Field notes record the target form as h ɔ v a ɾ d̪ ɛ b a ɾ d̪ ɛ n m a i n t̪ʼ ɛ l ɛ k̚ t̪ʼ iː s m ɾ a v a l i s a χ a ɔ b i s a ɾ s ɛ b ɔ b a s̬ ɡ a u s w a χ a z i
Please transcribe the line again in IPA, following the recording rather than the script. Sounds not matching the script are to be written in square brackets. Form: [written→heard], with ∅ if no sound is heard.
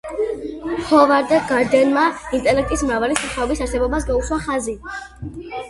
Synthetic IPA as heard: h ɔ v a ɾ d̪ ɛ [b→ɡ] a ɾ d̪ ɛ n m a i n t̪ʼ ɛ l ɛ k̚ t̪ʼ [iː→i] s m ɾ a v a l i s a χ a ɔ b i s a ɾ s ɛ b ɔ b a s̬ ɡ a u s w a χ a z i